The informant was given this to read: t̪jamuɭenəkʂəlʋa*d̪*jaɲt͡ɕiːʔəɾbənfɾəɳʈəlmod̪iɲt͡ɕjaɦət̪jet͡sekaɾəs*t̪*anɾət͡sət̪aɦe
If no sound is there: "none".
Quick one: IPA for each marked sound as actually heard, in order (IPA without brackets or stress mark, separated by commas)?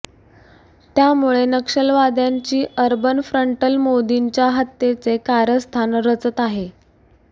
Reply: d̪, t̪ʰ